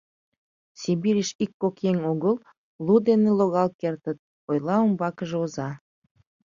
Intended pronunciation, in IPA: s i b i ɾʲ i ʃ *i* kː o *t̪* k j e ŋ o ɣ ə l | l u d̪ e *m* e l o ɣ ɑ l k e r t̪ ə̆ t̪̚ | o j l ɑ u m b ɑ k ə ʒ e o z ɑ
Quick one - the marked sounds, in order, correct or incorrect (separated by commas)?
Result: correct, incorrect, incorrect